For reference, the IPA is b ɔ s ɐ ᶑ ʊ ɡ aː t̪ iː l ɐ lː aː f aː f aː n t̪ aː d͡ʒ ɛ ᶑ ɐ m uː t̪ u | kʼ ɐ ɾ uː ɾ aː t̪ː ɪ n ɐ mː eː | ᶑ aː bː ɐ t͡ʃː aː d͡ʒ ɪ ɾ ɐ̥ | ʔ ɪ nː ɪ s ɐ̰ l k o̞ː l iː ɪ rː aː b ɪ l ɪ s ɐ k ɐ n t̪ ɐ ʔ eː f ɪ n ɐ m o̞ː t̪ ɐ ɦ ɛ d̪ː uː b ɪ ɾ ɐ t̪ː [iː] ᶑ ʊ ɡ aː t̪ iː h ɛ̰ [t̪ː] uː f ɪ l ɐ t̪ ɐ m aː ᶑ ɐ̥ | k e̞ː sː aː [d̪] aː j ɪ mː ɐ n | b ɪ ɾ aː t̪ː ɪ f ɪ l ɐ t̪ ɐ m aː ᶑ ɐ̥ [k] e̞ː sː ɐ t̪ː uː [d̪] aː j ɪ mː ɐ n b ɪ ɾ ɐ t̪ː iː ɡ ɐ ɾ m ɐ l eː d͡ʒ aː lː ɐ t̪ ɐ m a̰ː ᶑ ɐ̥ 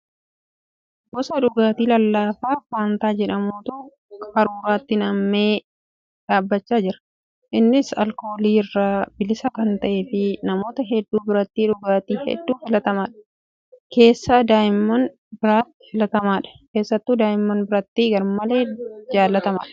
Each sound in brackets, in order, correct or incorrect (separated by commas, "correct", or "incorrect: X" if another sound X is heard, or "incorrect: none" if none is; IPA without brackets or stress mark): correct, incorrect: d̪ː, correct, correct, correct